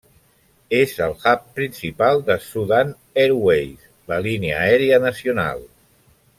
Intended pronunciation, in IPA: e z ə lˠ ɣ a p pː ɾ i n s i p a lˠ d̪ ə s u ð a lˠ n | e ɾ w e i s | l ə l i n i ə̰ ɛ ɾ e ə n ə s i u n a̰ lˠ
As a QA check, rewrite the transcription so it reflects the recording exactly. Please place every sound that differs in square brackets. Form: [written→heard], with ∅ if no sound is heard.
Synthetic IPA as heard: e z ə lˠ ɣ a p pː ɾ i n s i p a lˠ d̪ ə s u ð a [lˠ→∅] n | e ɾ w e [i→j] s | l ə l i n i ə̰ ɛ ɾ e ə n ə s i u n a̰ lˠ

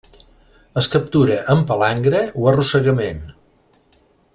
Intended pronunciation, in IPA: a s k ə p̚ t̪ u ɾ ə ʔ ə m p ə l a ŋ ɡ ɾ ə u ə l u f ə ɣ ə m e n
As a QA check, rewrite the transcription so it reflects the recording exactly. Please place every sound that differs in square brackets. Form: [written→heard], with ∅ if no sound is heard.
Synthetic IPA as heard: [a→ə] s k ə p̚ t̪ u ɾ ə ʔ ə m p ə l a ŋ ɡ ɾ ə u ə [l→r] u [f→s] ə ɣ ə m e n

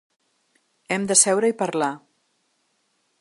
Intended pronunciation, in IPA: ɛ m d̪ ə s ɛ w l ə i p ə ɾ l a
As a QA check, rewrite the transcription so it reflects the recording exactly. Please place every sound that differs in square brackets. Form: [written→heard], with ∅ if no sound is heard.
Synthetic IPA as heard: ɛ m d̪ ə s ɛ w [l→ɾ] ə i p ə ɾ l a

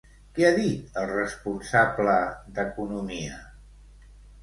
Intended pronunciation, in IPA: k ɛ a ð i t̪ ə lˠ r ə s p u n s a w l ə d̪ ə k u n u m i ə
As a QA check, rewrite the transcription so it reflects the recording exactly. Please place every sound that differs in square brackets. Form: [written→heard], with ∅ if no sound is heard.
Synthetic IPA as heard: k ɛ a ð i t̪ ə lˠ r ə s p u n s a [w→b] l ə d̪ ə k u n u m i ə

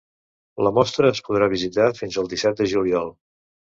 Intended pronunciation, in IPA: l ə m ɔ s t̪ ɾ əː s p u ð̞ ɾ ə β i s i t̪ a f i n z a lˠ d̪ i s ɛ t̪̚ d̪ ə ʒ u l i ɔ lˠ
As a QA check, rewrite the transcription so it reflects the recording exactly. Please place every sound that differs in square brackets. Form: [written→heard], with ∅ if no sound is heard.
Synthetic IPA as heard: l ə m ɔ s t̪ ɾ əː s p u ð̞ ɾ [ə→a] β i [s→z] i t̪ a f i n z [a→ə] lˠ d̪ i s ɛ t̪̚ d̪ ə ʒ u l i ɔ lˠ

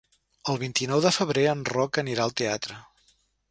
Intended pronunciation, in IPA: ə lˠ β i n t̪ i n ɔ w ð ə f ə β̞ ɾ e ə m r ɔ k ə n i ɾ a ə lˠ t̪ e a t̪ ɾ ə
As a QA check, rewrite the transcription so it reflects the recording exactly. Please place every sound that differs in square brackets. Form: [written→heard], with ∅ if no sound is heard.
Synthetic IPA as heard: ə lˠ β i n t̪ i n ɔ w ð ə f ə β̞ ɾ e ə [m→n] r ɔ k ə n i ɾ a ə lˠ t̪ e a t̪ ɾ ə

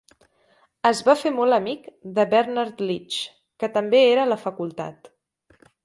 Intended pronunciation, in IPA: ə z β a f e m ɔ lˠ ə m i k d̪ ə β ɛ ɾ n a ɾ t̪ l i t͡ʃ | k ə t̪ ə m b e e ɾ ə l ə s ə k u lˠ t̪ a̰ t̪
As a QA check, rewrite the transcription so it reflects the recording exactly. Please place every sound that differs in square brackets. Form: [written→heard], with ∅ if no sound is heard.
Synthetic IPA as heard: ə z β a f e m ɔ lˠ ə m i k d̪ ə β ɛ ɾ n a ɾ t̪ l i t͡ʃ | k ə t̪ ə m b e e ɾ ə l ə [s→f] ə k u lˠ t̪ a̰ t̪

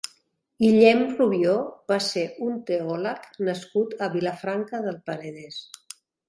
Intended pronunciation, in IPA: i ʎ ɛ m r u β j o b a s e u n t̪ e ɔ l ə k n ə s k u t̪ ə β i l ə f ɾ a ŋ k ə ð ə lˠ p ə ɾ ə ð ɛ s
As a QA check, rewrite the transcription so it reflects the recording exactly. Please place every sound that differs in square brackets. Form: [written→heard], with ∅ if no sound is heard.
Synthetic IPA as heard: i ʎ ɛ m r u β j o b a s e u n t̪ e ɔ l ə k n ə s k u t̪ ə β i l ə f ɾ a ŋ k ə ð ə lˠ p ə ɾ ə ð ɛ s

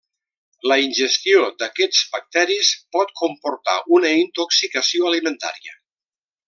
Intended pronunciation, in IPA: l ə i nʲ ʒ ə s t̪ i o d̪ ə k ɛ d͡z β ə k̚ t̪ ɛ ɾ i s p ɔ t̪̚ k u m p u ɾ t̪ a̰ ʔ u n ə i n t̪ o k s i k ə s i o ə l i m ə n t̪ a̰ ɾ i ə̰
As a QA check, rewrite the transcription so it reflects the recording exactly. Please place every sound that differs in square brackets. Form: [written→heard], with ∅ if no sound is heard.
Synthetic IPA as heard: l ə i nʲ ʒ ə s t̪ i o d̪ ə k ɛ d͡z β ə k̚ t̪ ɛ ɾ i s p ɔ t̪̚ k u m p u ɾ t̪ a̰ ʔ u n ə i n t̪ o k s i k ə s i o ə l i m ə n t̪ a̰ ɾ i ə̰

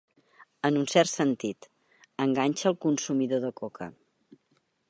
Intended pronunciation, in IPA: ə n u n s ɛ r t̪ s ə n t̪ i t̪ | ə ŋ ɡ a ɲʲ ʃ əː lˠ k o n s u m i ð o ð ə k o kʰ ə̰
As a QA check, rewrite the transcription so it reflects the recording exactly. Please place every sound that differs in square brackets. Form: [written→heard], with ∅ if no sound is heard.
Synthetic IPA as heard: ə n u n s ɛ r t̪ s ə n t̪ i t̪ | ə ŋ ɡ a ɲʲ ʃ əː lˠ k [o→u] n s u m i ð o ð ə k o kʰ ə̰

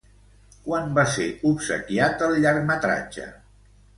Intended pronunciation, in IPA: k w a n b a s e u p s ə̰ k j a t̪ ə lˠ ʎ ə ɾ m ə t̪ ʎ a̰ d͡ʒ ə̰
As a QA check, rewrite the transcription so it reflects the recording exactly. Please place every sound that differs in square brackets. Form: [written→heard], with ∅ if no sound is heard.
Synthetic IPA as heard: k w a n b a s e u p s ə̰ k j a t̪ ə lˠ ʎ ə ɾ m ə t̪ [ʎ→ɾ] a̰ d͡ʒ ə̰

